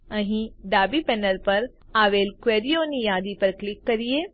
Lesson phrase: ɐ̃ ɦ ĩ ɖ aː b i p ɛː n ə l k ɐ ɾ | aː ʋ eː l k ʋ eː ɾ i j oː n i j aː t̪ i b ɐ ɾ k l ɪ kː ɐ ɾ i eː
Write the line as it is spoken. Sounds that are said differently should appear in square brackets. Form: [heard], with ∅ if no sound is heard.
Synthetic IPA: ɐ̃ ɦ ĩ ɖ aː b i p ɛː n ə l [p] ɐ ɾ | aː ʋ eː l k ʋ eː ɾ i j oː n i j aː [d̪] i [p] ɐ ɾ k l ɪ kː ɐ ɾ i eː